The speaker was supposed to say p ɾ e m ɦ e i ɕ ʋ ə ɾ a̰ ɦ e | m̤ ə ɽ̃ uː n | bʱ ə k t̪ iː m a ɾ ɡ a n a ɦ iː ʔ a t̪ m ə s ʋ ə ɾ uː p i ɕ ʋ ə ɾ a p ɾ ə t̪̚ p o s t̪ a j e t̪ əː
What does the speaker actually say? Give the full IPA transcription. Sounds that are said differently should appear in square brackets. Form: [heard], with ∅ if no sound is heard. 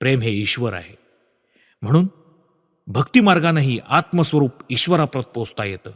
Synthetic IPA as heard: p ɾ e m ɦ e i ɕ ʋ ə ɾ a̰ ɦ e | m̤ ə ɽ̃ uː n | bʱ ə k t̪ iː m a ɾ ɡ a n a ɦ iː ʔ a t̪ m ə s ʋ ə ɾ uː p i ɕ ʋ ə ɾ a p ɾ ə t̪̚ p o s t̪ a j e t̪ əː